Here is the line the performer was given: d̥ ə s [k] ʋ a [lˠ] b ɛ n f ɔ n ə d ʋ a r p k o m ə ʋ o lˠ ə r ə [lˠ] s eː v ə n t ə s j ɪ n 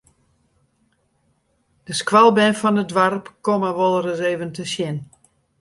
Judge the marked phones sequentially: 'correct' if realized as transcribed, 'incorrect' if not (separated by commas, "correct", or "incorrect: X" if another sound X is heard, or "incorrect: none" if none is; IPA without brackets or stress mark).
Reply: correct, correct, incorrect: none